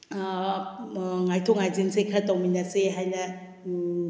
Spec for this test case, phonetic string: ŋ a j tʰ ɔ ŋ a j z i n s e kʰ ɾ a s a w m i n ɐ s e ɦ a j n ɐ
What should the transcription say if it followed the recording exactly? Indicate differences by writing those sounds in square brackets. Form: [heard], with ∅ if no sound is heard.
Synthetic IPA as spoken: ŋ a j tʰ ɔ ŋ a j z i n s e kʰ ɾ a [t] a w m i n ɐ s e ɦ a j n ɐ